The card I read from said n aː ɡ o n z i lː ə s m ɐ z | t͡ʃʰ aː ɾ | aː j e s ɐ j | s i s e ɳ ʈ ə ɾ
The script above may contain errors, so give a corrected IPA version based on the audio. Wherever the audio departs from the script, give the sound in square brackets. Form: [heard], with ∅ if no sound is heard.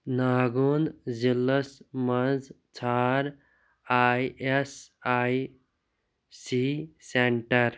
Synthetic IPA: n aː ɡ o n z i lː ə s m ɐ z | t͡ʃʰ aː ɾ | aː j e s [a] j | s i s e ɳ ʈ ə ɾ

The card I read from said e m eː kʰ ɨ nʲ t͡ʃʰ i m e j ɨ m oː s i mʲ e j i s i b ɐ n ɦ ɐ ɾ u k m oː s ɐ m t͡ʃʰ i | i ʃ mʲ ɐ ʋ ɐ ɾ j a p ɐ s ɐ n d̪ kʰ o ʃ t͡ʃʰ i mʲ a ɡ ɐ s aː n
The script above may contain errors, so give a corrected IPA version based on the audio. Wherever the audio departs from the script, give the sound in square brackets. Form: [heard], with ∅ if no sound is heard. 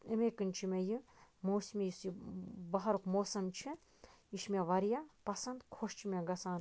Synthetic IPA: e m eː [k] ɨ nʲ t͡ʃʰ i m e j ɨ m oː s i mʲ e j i s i b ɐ [∅] ɦ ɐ ɾ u k m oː s ɐ m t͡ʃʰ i | i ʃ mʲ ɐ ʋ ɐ ɾ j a p ɐ s ɐ n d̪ kʰ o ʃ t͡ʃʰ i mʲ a ɡ ɐ s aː n

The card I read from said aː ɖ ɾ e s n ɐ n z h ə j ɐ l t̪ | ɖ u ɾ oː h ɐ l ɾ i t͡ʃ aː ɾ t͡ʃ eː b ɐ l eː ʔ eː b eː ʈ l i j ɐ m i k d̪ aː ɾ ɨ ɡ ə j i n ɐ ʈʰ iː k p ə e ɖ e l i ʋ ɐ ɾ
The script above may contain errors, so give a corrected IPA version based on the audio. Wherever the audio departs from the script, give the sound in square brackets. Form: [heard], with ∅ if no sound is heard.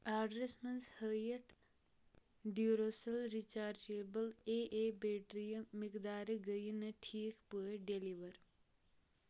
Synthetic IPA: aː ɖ ɾ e s [m] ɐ n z h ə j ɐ [∅] t̪ | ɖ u ɾ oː [s] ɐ l ɾ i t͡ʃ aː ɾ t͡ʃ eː b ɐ l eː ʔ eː b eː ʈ [ɾ] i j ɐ m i k d̪ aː ɾ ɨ ɡ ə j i n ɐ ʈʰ iː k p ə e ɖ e l i ʋ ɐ ɾ

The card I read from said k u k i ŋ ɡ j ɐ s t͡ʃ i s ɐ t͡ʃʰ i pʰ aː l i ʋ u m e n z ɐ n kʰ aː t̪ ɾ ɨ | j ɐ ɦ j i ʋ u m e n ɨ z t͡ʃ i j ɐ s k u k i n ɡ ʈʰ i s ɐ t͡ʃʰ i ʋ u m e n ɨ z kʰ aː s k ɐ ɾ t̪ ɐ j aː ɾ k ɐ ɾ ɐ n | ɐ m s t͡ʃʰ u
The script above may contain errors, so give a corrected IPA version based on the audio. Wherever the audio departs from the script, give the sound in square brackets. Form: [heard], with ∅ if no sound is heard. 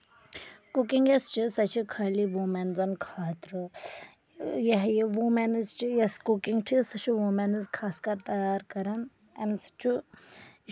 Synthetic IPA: k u k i ŋ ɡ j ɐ s t͡ʃ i s ɐ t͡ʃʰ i [kʰ] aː l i ʋ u m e n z ɐ n kʰ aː t̪ ɾ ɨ | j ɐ ɦ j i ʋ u m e n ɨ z t͡ʃ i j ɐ s k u k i [ŋ] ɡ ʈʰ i s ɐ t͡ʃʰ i ʋ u m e n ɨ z kʰ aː s k ɐ ɾ t̪ ɐ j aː ɾ k ɐ ɾ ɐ n | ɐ m s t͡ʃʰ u

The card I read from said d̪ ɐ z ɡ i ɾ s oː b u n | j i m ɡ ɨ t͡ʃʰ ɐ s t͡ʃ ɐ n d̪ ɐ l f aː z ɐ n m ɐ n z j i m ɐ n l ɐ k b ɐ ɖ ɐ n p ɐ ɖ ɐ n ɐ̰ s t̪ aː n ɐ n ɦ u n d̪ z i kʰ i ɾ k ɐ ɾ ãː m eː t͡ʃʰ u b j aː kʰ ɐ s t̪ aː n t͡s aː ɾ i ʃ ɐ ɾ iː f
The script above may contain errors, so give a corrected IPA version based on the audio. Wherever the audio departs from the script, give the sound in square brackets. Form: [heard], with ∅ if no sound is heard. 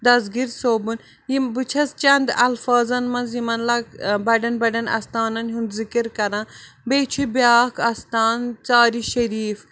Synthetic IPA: d̪ ɐ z ɡ i ɾ s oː b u n | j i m [b] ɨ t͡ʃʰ ɐ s t͡ʃ ɐ n d̪ ɐ l f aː z ɐ n m ɐ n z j i m ɐ n l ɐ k b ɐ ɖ ɐ n [b] ɐ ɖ ɐ n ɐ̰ s t̪ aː n ɐ n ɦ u n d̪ z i [k] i ɾ k ɐ ɾ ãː [b] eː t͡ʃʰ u b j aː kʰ ɐ s t̪ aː n t͡s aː ɾ i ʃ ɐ ɾ iː f

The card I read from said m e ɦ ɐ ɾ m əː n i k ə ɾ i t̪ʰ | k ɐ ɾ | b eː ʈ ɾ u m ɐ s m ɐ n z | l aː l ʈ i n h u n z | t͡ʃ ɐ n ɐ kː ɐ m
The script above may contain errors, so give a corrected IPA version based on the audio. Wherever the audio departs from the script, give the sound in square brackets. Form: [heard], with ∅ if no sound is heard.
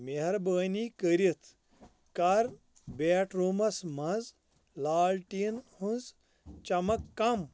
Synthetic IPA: m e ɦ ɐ ɾ [b] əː n i k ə ɾ i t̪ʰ | k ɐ ɾ | b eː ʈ ɾ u m ɐ s m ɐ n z | l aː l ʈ i n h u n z | t͡ʃ ɐ [m] ɐ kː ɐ m

